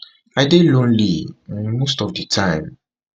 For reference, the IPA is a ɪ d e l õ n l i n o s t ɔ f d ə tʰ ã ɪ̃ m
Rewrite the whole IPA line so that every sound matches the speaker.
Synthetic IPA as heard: a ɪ d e l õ n l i m o s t ɔ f d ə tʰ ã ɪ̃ m